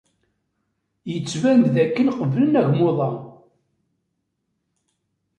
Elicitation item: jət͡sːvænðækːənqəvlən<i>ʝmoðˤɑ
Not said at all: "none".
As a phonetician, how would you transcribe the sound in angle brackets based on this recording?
æ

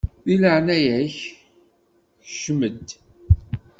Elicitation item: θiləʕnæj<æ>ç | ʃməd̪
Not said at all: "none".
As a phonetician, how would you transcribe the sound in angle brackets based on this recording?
æ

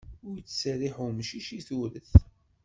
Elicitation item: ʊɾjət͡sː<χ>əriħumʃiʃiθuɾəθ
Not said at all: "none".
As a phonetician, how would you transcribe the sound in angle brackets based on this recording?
s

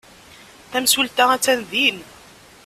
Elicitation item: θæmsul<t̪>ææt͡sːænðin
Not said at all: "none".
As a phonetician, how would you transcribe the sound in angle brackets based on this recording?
t̪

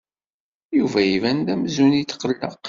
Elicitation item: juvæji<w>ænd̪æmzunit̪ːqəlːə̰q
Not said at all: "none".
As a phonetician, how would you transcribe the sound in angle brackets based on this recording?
v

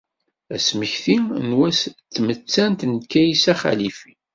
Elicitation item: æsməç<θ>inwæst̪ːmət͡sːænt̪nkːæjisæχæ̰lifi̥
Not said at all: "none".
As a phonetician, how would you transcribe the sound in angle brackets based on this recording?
θ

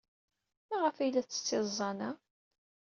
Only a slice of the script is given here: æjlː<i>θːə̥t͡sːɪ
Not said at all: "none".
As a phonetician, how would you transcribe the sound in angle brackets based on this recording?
æ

